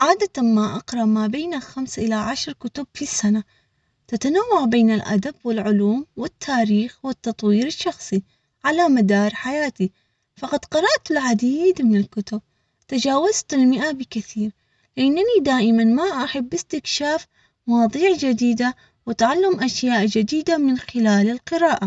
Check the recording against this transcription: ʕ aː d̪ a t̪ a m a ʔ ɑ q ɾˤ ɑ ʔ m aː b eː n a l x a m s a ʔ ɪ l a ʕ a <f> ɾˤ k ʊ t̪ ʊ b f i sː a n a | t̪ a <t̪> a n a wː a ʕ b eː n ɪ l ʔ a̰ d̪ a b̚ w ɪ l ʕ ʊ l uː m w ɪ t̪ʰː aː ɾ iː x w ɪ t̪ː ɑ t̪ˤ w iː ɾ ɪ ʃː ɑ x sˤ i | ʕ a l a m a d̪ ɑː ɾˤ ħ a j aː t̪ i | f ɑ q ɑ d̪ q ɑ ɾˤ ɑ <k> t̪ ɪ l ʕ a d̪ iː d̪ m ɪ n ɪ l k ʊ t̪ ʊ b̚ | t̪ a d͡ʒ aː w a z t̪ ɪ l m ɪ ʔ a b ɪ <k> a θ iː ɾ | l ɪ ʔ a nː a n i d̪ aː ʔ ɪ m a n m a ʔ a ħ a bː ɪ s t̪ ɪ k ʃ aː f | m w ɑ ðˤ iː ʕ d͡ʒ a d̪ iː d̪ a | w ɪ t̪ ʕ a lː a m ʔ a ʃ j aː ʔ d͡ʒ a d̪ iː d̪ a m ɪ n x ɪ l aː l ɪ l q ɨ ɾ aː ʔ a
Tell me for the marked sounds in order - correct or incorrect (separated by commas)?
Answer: incorrect, correct, incorrect, correct